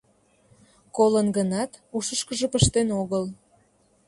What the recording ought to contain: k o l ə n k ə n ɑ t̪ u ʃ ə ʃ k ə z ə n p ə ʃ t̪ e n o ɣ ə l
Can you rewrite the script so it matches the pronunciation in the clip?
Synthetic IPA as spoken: k o l ə n ɡ ə n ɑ t̪ u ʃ ə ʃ k ə ʒ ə p ə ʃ t̪ e n o ɣ ə l